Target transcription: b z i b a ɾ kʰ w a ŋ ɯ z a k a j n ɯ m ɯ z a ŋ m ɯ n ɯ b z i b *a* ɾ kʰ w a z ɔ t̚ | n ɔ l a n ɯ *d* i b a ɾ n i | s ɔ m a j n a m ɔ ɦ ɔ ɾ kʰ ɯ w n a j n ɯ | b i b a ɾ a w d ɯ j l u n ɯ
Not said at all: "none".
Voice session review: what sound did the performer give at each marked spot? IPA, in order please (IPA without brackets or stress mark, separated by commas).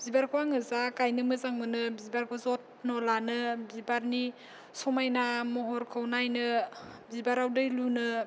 a, b